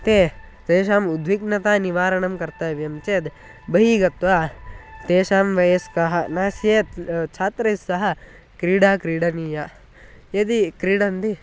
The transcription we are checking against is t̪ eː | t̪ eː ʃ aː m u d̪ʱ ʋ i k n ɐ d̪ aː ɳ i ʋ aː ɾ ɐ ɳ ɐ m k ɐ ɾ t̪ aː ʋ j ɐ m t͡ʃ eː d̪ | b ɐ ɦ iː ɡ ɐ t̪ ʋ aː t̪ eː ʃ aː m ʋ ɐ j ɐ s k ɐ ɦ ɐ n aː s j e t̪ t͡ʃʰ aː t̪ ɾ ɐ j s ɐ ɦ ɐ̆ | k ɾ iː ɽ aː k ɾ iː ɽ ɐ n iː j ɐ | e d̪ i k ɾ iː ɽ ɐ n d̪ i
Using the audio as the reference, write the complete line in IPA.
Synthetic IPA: t̪ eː | t̪ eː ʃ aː m u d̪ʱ ʋ i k n ɐ t̪ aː n i ʋ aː ɾ ɐ ɳ ɐ m k ɐ ɾ t̪ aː ʋ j ɐ m t͡ʃ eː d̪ | b ɐ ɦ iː ɡ ɐ t̪ ʋ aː t̪ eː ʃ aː m ʋ ɐ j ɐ s k ɐ ɦ ɐ n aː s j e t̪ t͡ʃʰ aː t̪ ɾ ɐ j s ɐ ɦ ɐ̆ | k ɾ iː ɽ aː k ɾ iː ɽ ɐ n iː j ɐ | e d̪ i k ɾ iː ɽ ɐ n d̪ i